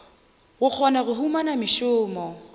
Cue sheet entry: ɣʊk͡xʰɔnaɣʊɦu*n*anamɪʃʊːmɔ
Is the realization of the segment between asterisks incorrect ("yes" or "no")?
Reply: yes